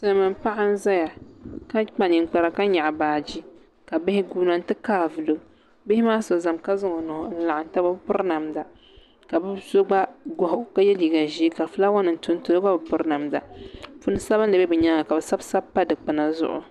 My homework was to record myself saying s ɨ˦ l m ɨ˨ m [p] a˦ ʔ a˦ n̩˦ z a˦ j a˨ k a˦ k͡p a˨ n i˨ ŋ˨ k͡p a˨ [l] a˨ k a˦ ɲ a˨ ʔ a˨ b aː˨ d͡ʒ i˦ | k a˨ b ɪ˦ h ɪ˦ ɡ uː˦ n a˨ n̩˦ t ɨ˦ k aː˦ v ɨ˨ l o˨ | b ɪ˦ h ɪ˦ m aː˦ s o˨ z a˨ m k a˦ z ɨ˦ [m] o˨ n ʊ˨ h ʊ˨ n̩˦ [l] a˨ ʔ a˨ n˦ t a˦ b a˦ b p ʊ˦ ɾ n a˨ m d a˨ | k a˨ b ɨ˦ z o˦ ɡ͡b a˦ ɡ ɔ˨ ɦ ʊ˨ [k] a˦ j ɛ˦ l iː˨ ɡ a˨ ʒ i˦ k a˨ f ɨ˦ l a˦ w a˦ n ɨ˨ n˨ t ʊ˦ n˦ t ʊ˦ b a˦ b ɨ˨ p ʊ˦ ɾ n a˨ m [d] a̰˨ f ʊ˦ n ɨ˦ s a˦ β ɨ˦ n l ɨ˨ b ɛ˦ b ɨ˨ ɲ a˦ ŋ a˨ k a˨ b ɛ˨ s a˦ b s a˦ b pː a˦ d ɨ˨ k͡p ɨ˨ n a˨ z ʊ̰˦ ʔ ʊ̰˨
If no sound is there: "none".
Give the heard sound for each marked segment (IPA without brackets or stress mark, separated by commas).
p, ɾ, ŋ, l, k, d